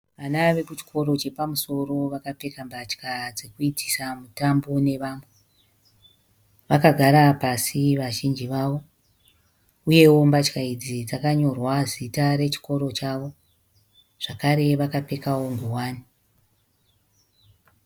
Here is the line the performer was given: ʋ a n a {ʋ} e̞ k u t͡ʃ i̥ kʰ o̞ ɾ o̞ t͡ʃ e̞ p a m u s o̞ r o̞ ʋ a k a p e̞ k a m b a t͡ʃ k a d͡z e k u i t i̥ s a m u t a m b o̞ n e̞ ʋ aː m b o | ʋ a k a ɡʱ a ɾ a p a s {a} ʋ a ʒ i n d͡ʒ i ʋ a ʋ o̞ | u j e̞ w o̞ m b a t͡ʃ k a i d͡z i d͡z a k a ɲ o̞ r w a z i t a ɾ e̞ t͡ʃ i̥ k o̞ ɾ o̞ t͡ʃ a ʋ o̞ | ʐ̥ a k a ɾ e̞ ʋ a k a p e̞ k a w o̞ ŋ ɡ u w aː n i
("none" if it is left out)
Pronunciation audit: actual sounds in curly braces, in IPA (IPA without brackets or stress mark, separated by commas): ʋ, i